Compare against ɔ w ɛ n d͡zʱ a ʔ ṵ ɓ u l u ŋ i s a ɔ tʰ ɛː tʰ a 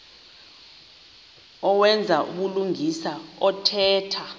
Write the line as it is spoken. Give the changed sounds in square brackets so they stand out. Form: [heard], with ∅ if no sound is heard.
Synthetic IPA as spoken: ɔ w ɛ n d͡zʱ a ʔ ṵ ɓ u l u ŋ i s a ɔ tʰ ɛː tʰ a